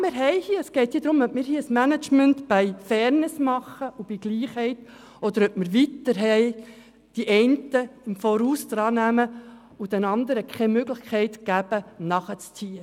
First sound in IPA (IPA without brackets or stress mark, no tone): m